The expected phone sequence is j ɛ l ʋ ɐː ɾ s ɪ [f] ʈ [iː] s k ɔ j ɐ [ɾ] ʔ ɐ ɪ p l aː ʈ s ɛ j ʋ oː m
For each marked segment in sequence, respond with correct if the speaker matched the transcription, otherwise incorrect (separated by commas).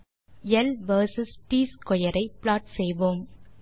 incorrect, correct, correct